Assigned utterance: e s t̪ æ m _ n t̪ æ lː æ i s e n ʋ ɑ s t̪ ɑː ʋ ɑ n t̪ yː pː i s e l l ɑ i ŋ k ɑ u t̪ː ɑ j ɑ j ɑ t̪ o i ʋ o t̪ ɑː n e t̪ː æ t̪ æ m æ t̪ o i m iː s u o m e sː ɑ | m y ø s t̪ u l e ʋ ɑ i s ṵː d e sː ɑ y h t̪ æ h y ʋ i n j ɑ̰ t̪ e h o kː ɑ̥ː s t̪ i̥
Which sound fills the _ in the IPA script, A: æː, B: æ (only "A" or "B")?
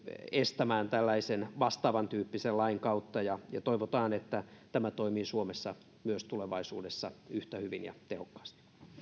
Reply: A